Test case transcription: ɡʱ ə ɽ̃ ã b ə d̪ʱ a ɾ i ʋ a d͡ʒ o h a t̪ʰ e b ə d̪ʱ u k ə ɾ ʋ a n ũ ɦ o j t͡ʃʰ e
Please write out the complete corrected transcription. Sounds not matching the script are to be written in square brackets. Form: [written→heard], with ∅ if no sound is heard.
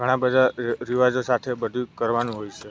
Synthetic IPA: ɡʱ ə ɽ̃ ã b ə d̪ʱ a ɾ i ʋ a d͡ʒ o [h→s] a t̪ʰ e b ə d̪ʱ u k ə ɾ ʋ a n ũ ɦ o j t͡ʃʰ e

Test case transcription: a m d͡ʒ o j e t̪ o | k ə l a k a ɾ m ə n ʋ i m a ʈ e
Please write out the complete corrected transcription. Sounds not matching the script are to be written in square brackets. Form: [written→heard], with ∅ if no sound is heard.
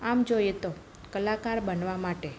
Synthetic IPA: a m d͡ʒ o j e t̪ o | k ə l a k a ɾ [m→b] ə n ʋ [i→a] m a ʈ e

